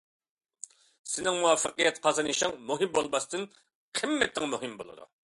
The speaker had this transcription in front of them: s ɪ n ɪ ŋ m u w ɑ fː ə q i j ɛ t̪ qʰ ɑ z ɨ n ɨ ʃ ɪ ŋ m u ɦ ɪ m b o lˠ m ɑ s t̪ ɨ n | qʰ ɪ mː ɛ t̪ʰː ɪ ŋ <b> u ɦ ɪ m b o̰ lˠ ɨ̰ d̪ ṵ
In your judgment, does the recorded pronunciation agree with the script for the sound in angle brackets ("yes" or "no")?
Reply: no